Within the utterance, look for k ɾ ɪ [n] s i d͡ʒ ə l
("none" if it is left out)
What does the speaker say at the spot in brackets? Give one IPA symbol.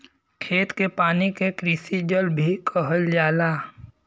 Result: none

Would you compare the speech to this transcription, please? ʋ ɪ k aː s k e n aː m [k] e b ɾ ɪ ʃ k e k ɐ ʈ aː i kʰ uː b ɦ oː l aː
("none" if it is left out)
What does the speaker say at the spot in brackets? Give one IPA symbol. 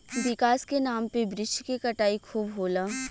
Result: p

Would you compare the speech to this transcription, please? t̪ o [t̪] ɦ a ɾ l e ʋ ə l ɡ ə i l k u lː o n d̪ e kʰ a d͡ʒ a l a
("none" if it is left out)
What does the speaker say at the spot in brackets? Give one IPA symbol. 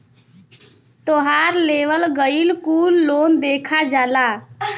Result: none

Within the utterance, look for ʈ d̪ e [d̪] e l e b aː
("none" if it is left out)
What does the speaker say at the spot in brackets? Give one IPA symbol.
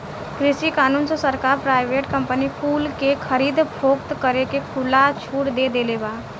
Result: d̪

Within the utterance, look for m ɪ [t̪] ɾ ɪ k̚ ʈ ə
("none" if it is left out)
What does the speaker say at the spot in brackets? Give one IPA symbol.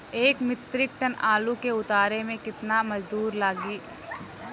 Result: t̪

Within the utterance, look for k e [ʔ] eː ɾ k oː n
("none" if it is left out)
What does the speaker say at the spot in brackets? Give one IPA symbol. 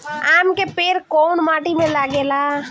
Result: p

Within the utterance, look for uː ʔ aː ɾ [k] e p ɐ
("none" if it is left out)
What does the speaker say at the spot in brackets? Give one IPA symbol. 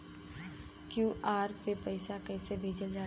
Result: p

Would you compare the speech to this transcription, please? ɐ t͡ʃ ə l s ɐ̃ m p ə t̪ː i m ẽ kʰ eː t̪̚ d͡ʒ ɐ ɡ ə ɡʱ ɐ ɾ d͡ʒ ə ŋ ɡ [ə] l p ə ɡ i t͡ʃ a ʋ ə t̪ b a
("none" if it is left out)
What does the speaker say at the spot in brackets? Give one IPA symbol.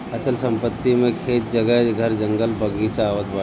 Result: ə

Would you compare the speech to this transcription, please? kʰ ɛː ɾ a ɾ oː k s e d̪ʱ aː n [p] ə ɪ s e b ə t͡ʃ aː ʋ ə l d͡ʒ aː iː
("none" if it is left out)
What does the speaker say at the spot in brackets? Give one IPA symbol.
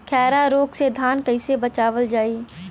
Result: k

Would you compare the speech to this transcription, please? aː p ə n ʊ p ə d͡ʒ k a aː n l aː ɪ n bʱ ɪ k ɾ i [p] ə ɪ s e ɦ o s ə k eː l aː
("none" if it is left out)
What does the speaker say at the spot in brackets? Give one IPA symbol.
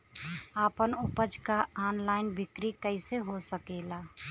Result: k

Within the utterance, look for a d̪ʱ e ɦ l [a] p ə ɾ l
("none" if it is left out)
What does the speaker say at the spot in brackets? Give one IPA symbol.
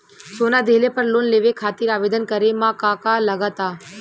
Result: e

